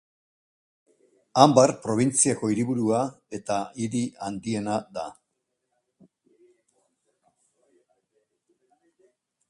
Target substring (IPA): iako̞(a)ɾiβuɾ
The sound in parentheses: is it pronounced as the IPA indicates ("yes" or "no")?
no